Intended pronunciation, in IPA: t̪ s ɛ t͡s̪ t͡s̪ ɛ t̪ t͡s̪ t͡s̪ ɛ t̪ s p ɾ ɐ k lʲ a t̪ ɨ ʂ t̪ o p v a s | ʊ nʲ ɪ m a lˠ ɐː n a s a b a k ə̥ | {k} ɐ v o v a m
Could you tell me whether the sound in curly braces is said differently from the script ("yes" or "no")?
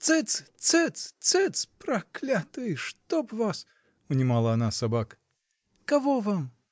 no